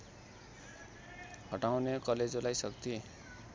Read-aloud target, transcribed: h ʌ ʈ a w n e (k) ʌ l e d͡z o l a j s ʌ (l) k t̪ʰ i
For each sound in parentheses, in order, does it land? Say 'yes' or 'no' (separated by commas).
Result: yes, no